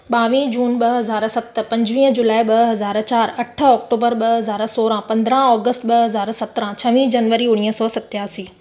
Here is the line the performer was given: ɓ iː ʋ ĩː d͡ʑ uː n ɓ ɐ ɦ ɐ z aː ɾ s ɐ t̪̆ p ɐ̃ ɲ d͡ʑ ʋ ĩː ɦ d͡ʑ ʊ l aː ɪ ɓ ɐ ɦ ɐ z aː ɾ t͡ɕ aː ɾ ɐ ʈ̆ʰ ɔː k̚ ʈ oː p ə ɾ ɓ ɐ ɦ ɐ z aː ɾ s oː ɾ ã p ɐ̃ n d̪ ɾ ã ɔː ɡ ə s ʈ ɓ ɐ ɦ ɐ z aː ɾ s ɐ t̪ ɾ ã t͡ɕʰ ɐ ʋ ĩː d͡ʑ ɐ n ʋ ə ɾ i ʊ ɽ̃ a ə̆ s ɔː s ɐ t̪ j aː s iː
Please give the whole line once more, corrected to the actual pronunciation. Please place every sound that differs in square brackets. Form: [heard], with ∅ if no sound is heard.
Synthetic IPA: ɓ [aː] ʋ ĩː d͡ʑ uː n ɓ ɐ ɦ ɐ z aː ɾ s ɐ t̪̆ p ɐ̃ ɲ d͡ʑ ʋ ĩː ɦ d͡ʑ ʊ l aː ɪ ɓ ɐ ɦ ɐ z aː ɾ t͡ɕ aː ɾ ɐ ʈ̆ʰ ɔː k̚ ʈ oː [b] ə ɾ ɓ ɐ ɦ ɐ z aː ɾ s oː ɾ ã p ɐ̃ n d̪ ɾ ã ɔː ɡ ə s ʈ ɓ ɐ ɦ ɐ z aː ɾ s ɐ t̪ ɾ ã t͡ɕʰ ɐ ʋ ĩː d͡ʑ ɐ n ʋ ə ɾ i ʊ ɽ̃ [i] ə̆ s ɔː s ɐ t̪ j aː s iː